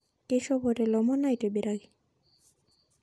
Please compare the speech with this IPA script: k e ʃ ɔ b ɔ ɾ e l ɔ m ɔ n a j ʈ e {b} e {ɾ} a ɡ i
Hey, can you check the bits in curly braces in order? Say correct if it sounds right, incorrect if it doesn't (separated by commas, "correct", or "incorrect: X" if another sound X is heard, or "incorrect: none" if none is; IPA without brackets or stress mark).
correct, correct